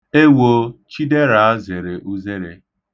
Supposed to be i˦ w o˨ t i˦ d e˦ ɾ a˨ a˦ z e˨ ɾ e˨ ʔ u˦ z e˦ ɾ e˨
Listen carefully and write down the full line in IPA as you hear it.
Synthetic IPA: e˦ w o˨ t͡ʃ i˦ d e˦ ɾ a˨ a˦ z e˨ ɾ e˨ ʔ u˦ z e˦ ɾ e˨